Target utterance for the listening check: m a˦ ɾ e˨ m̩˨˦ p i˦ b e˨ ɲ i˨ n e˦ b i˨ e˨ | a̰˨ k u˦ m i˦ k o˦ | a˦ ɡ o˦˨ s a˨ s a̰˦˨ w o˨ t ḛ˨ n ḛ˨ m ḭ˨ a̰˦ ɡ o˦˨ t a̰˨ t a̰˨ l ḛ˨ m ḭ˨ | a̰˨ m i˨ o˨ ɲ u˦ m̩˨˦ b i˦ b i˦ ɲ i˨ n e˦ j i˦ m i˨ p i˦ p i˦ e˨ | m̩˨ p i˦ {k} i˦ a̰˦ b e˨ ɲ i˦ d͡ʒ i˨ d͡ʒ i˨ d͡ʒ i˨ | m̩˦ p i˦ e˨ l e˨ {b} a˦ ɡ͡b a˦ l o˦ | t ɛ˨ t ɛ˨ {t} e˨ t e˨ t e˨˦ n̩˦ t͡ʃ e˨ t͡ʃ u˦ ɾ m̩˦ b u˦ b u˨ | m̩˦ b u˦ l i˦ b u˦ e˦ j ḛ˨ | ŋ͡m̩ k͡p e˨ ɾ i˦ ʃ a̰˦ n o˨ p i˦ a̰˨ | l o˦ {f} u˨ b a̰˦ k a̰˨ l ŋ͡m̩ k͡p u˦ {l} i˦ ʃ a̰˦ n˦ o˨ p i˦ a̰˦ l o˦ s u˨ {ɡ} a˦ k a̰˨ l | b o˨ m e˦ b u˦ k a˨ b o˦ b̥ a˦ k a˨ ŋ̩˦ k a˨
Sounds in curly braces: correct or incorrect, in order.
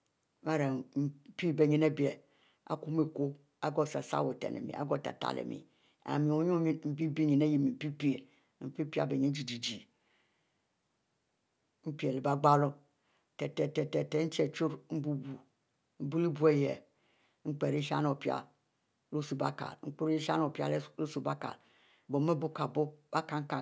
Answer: incorrect, correct, correct, incorrect, incorrect, incorrect

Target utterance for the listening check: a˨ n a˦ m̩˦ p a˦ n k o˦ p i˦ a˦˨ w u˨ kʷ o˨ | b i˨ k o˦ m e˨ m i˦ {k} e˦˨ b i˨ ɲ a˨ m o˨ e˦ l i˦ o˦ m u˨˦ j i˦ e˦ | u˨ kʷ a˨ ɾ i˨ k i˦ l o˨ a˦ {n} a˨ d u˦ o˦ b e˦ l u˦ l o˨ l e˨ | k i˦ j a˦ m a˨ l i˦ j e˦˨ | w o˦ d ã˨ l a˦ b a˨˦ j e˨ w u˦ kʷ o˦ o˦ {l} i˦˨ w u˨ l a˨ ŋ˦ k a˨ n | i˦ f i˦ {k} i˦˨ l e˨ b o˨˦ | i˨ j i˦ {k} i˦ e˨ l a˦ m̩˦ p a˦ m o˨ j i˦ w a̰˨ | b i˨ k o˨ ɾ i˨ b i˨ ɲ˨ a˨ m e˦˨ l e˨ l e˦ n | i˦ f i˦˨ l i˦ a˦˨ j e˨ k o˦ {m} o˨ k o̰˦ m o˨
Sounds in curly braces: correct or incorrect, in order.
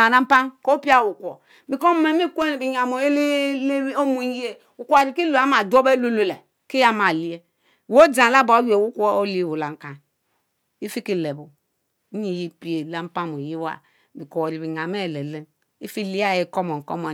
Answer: correct, incorrect, correct, correct, incorrect, correct

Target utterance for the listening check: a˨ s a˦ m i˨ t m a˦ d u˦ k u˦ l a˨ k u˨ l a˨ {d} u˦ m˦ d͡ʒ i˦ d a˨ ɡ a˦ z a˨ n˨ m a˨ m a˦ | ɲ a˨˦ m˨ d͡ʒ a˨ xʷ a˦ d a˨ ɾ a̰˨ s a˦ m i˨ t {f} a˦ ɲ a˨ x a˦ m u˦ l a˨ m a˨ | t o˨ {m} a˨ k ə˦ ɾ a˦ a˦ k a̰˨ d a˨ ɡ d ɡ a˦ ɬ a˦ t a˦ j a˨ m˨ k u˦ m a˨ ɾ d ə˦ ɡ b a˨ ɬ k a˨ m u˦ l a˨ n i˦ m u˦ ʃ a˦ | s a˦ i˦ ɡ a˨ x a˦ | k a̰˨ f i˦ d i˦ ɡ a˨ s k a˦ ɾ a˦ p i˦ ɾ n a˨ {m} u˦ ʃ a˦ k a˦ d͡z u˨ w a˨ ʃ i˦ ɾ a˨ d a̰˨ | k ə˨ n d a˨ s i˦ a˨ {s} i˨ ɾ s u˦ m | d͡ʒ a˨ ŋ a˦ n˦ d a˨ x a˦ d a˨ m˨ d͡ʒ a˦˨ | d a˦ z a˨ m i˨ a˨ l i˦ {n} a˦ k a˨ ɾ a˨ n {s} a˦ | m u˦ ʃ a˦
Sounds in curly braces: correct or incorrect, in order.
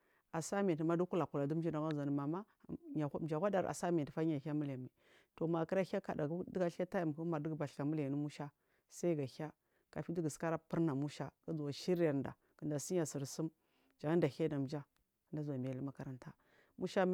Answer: correct, correct, correct, correct, correct, incorrect, incorrect

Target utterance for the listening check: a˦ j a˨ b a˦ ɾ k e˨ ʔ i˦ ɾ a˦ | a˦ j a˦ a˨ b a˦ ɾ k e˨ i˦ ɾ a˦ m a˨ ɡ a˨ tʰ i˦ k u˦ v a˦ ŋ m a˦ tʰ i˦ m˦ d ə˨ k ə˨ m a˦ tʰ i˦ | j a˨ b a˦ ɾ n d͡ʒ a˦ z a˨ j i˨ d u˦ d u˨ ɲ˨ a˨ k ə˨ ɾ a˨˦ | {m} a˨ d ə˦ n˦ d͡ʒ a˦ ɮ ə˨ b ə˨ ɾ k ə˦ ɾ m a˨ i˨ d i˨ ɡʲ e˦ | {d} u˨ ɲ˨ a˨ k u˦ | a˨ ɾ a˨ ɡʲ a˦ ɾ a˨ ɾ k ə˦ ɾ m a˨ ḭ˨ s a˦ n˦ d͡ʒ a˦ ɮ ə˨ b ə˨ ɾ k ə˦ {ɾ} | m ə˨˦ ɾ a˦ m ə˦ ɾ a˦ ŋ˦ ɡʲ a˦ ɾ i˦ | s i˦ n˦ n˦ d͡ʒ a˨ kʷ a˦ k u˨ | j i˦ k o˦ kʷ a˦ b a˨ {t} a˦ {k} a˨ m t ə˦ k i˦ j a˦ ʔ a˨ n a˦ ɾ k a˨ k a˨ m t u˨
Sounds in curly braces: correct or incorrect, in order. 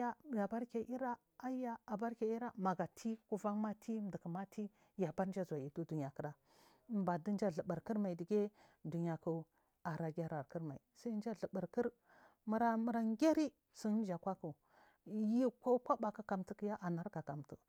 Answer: incorrect, correct, correct, incorrect, correct

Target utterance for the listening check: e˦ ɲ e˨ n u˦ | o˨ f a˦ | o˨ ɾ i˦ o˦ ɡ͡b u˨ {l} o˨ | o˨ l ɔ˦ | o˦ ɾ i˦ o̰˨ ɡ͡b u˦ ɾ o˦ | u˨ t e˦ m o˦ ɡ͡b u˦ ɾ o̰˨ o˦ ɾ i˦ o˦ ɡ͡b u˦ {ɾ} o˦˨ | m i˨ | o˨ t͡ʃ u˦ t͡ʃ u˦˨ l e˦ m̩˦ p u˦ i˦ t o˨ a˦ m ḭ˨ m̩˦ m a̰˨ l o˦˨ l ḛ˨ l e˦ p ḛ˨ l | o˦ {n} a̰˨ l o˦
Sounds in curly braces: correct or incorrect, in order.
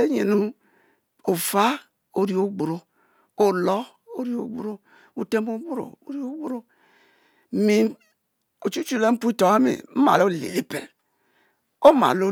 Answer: incorrect, correct, incorrect

